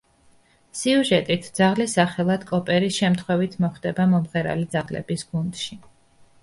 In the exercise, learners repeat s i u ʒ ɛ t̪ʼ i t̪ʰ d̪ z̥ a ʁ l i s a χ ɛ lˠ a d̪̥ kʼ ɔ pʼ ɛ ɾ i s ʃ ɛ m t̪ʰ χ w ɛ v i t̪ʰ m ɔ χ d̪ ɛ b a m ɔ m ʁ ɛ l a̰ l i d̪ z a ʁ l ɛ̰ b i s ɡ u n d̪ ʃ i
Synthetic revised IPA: s i u ʒ ɛ t̪ʼ i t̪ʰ d̪ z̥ a ʁ l i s a χ ɛ lˠ a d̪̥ kʼ ɔ pʼ ɛ ɾ i s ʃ ɛ m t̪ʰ χ w ɛ v i t̪ʰ m ɔ χ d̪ ɛ b a m ɔ m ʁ ɛ ɾ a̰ l i d̪ z a ʁ l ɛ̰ b i s ɡ u n d̪ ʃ i